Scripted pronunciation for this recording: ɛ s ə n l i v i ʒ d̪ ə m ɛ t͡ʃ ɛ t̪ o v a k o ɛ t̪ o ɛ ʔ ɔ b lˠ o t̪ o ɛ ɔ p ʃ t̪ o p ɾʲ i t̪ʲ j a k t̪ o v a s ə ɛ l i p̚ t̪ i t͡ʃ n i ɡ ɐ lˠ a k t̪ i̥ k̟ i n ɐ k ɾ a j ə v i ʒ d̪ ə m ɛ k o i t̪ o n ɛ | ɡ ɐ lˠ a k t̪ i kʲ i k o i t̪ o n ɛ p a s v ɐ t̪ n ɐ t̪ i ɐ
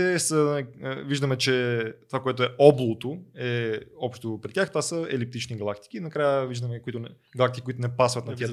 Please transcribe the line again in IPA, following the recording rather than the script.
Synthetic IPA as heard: ɛ s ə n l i v i ʒ d̪ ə m ɛ t͡ʃ ɛ t̪ o v a k o ɛ t̪ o ɛ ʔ ɔ b lˠ o t̪ o ɛ ɔ p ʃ t̪ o p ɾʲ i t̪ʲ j a x t̪ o v a s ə ɛ l i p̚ t̪ i t͡ʃ n i ɡ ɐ lˠ a k t̪ i̥ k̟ i n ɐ k ɾ a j ə v i ʒ d̪ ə m ɛ k o i t̪ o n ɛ | ɡ ɐ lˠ a k t̪ i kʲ i k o i t̪ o n ɛ p a s v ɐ t̪ n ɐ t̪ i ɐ